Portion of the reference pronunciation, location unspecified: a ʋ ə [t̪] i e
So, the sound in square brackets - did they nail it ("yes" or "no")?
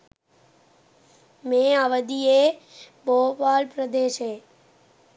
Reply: no